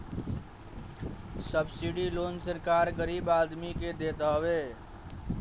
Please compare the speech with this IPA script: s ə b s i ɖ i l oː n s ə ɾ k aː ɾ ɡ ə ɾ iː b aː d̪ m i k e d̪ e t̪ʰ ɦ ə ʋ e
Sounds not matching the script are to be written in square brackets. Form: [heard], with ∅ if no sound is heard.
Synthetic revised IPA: s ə b s i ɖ i l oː n s ə ɾ k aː ɾ ɡ ə ɾ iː b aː d̪ m i k e d̪ e [t̪] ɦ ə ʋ e